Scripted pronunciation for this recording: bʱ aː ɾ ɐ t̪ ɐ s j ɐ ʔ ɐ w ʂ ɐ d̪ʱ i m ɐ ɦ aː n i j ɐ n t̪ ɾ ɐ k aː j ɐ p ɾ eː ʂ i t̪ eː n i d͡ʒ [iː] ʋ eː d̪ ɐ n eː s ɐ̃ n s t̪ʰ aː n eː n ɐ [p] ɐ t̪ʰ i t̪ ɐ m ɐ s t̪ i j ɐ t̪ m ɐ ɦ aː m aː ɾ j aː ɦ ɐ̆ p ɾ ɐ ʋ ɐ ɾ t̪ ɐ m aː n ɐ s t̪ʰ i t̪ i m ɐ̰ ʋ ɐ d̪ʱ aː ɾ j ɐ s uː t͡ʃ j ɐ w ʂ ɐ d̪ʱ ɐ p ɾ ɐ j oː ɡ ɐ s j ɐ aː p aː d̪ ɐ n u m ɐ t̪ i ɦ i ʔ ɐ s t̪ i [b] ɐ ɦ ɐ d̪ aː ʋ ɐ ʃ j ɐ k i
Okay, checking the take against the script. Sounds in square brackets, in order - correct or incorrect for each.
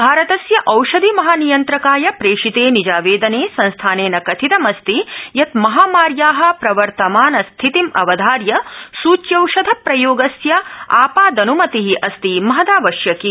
incorrect: aː, incorrect: k, incorrect: m

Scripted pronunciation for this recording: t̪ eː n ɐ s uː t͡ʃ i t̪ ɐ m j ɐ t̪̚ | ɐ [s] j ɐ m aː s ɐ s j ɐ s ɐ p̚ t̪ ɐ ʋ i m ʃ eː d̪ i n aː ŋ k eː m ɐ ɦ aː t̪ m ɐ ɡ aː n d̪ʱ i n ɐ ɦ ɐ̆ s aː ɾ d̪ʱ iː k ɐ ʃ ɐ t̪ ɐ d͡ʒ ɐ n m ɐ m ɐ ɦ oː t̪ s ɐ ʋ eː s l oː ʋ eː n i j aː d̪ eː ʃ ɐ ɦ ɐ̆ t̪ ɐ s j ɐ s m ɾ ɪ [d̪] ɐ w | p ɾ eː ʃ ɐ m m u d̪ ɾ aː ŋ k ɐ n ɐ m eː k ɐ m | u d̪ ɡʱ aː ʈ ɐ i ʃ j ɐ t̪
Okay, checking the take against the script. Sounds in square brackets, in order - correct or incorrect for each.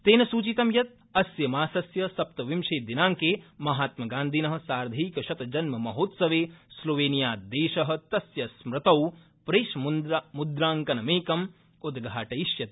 correct, incorrect: t̪

